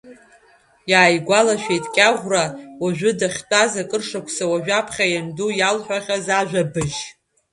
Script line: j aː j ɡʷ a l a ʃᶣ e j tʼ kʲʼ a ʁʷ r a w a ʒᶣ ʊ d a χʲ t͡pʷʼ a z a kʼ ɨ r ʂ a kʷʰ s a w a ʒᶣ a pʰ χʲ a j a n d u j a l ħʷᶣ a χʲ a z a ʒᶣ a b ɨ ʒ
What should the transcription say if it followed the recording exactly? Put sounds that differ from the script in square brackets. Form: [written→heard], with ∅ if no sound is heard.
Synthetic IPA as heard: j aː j ɡʷ a l a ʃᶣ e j tʼ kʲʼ a ʁʷ r a w a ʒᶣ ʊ d a χʲ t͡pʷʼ a z a kʼ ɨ r ʂ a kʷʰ s a w a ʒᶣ a pʰ χʲ a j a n d u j a l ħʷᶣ a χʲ a z a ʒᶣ a b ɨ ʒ